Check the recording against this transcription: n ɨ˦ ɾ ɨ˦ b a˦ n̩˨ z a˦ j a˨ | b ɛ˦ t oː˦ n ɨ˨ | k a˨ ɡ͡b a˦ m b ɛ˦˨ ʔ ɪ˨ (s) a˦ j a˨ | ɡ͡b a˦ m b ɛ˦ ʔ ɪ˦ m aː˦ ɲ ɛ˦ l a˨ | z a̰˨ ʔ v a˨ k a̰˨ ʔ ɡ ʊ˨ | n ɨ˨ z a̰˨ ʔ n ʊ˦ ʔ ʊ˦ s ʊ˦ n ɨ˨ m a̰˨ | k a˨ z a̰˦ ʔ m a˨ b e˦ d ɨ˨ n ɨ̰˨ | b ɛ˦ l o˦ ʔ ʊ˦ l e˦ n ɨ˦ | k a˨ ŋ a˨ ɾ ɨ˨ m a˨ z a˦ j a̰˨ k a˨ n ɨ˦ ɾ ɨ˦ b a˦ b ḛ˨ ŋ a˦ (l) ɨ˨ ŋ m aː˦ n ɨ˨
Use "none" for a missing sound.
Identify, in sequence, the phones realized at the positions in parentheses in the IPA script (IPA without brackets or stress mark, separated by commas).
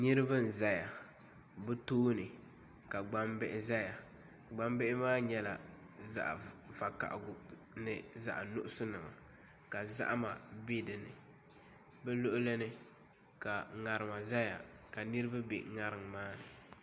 z, ɾ